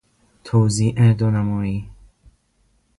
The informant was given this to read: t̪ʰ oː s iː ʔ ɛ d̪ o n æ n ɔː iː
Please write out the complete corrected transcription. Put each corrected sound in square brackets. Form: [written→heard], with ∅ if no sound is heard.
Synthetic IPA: t̪ʰ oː [s→z] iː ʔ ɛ d̪ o n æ [n→m] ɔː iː

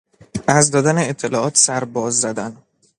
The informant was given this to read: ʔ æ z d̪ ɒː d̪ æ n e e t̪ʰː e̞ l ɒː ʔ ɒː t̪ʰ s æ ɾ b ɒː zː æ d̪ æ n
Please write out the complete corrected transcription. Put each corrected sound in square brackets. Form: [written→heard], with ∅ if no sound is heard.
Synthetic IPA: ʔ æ z d̪ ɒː d̪ æ n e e t̪ʰː e̞ l ɒː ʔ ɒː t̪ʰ s æ ɾ b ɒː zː æ d̪ æ n

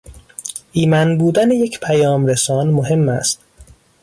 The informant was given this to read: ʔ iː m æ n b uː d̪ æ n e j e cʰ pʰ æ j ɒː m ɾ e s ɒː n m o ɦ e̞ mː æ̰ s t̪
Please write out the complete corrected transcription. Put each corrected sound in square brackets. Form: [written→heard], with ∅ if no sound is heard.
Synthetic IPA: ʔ iː m æ n b uː d̪ æ n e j e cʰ pʰ æ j ɒː m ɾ e s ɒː n m o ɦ e̞ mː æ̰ s t̪

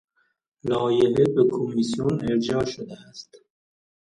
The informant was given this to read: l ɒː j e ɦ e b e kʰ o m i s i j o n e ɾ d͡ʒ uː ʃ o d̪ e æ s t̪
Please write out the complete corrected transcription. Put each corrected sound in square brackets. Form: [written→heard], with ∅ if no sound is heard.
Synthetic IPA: l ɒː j e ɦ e b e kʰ o m i s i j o n e ɾ d͡ʒ [uː→ɒː] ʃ o d̪ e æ s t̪

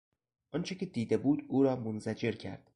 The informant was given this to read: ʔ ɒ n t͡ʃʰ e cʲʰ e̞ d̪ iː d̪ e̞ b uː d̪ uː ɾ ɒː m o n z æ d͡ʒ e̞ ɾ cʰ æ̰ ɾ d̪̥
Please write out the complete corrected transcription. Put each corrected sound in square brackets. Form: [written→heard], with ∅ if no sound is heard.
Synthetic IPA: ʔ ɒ n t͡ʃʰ e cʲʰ e̞ d̪ iː d̪ e̞ b uː d̪ uː ɾ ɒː m o n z æ d͡ʒ e̞ ɾ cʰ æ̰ ɾ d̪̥

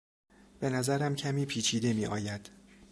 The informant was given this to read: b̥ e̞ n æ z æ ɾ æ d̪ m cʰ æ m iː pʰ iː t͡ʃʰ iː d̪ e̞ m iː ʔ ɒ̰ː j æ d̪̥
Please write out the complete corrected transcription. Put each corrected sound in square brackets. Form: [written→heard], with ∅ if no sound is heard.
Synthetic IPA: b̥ e̞ n æ z æ ɾ æ [d̪→∅] m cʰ æ m iː pʰ iː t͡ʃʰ iː d̪ e̞ m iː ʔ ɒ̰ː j æ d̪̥

